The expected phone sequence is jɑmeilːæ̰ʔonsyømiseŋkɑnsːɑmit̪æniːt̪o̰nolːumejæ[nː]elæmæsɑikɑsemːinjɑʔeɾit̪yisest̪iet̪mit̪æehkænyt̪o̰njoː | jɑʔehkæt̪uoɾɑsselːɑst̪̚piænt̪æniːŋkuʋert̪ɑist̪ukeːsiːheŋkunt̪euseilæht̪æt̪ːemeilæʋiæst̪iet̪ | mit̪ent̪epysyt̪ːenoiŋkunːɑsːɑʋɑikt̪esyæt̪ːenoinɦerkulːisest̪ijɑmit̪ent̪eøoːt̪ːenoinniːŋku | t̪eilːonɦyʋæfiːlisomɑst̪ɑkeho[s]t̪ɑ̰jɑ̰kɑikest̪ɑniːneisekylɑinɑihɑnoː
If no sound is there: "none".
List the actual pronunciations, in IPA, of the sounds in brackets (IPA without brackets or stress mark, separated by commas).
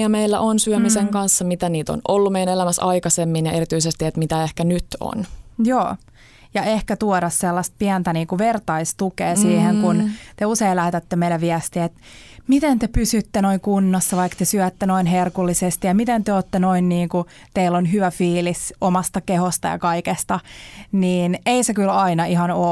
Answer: n, s